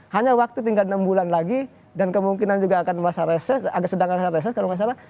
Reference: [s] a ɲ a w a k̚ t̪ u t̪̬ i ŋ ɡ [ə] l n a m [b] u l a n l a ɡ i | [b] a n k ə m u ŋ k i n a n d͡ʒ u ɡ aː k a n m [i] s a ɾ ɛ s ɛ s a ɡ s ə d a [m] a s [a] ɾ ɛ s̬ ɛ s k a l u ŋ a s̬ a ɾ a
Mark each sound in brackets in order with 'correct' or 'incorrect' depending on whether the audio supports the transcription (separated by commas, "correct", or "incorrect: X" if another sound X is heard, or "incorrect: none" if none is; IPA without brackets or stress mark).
incorrect: h, incorrect: a, correct, incorrect: d, incorrect: a, incorrect: ŋ, correct